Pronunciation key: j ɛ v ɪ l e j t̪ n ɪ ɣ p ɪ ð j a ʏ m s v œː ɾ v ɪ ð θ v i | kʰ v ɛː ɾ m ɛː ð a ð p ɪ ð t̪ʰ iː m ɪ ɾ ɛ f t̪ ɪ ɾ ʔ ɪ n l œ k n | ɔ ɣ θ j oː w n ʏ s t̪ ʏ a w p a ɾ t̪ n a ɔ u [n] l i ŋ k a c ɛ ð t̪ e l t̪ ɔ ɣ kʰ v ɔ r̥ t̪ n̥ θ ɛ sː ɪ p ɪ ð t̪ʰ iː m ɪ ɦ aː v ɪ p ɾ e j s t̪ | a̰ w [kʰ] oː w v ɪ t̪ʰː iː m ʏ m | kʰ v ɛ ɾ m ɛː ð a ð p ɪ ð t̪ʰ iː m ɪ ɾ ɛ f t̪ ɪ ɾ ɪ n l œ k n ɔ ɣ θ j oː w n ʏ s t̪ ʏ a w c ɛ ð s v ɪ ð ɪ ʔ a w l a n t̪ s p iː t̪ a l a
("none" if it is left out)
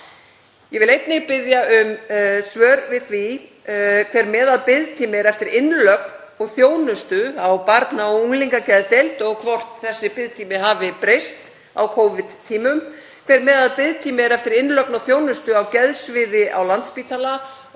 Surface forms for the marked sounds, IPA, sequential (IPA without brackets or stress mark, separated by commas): ŋ, kʰ